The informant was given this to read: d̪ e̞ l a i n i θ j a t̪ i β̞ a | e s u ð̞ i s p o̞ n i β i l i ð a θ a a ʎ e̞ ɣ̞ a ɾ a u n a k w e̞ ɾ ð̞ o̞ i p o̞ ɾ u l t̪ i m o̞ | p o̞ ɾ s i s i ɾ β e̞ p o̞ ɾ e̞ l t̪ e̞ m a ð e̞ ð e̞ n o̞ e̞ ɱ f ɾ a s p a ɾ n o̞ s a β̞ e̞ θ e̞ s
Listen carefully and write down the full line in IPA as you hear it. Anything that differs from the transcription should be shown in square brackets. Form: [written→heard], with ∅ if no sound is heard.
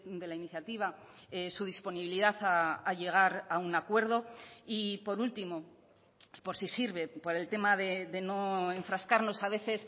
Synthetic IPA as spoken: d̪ e̞ l a i n i θ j a t̪ i β̞ a | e s u ð̞ i s p o̞ n i β i l i ð a θ a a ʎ e̞ ɣ̞ a ɾ a u n a k w e̞ ɾ ð̞ o̞ i p o̞ ɾ u l t̪ i m o̞ | p o̞ ɾ s i s i ɾ β e̞ p o̞ ɾ e̞ l t̪ e̞ m a ð e̞ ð e̞ n o̞ e̞ ɱ f ɾ a s [p→k] a ɾ n o̞ s a β̞ e̞ θ e̞ s